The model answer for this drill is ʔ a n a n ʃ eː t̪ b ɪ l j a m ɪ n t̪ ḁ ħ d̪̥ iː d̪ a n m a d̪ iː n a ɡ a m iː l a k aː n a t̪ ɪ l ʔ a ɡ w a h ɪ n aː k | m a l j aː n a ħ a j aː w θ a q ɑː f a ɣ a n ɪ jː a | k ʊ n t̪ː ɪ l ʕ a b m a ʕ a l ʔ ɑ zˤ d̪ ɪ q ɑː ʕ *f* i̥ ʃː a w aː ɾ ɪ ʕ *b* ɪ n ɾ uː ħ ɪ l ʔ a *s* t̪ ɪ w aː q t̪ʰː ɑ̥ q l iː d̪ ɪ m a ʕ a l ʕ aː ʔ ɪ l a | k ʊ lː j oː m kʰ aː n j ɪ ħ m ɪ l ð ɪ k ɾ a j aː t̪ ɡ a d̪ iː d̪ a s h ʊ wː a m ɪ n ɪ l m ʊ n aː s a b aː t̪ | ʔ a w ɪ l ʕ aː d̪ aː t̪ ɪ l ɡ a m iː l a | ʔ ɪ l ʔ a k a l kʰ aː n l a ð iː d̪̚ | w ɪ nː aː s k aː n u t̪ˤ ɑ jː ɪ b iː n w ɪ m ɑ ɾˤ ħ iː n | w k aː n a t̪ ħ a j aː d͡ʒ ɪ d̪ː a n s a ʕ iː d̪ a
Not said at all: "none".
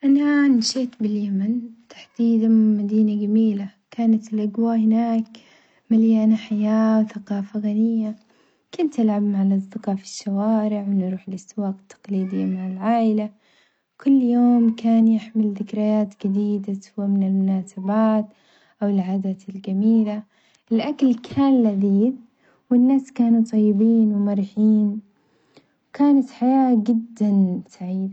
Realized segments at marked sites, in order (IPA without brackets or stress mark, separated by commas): f, w, s